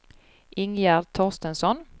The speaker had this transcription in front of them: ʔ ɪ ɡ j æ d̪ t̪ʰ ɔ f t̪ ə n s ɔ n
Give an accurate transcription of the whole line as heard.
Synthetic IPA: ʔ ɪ ŋ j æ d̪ t̪ʰ ɔ s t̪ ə n s ɔ n